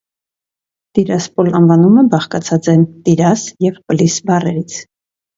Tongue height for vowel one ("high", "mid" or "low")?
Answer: high